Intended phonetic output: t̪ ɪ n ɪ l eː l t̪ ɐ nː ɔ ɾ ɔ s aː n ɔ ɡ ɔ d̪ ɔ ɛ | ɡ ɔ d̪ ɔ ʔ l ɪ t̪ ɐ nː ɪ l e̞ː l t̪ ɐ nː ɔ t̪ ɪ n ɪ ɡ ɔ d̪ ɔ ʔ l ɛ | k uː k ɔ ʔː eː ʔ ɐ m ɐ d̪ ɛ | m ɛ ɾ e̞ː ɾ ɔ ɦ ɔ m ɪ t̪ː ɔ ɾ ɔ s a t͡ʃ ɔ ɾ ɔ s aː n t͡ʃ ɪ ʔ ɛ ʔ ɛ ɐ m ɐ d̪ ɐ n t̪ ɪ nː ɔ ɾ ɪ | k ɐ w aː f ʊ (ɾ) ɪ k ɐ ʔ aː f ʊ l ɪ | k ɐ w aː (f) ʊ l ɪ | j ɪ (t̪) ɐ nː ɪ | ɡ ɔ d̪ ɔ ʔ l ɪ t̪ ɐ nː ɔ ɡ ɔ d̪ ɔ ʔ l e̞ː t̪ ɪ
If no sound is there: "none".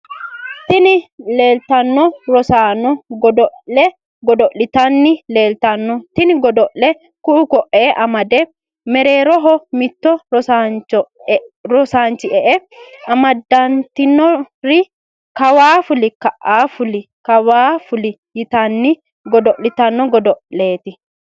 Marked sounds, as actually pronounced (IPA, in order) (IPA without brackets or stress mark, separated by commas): l, f, t̪